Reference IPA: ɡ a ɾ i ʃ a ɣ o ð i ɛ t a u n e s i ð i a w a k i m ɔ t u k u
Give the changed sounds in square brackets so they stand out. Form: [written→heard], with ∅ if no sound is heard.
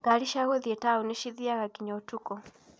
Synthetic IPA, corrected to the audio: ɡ a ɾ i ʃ a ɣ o ð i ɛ t a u n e [s→ʃ] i ð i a [w→ɣ] a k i [m→ɲ] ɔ t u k [u→ɔ]